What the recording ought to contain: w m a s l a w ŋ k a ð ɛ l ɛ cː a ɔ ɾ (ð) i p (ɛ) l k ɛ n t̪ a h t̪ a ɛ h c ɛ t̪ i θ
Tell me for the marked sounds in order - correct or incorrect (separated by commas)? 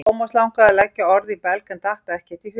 correct, correct